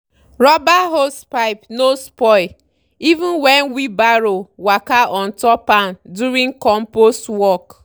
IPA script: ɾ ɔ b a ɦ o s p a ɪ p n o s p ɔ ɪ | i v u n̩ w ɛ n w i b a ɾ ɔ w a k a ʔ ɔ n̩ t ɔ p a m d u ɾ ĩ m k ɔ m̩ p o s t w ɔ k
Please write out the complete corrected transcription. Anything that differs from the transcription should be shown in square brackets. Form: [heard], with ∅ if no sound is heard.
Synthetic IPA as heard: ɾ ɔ b a ɦ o s p a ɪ p n o s p ɔ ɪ | i v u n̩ w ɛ n w i b a ɾ [o] w a k a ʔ ɔ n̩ t ɔ p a [n] d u ɾ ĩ [ŋ] k ɔ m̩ p o s t w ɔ k